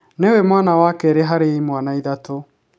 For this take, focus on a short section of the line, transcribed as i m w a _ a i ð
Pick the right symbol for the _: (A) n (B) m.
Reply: A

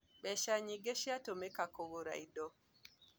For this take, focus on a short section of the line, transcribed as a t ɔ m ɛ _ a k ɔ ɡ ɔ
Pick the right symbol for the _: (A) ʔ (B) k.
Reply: B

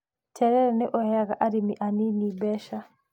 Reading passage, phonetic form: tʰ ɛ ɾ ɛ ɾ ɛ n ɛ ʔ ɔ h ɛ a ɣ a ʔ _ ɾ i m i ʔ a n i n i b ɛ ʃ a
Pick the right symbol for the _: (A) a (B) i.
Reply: A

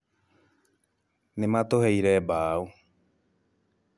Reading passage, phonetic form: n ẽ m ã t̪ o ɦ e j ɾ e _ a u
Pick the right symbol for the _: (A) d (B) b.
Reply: B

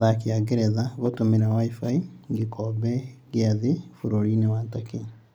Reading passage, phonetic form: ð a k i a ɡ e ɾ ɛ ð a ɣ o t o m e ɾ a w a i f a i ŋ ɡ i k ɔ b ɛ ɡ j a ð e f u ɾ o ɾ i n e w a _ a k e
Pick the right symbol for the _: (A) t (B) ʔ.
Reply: A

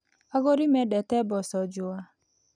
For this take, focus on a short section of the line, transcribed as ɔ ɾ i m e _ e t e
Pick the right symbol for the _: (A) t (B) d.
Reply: B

